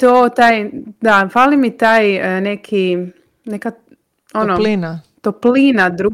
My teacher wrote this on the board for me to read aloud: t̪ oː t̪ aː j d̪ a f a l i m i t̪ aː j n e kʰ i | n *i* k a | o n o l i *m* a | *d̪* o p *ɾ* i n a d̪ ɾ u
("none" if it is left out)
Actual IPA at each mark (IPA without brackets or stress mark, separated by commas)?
e, n, t̪, l